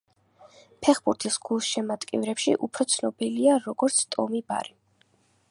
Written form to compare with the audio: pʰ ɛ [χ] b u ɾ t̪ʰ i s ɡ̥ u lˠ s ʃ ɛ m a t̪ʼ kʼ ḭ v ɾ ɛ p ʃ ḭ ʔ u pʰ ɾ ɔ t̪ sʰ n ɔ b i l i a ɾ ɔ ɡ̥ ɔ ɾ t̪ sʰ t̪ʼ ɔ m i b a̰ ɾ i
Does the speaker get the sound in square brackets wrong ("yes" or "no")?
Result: no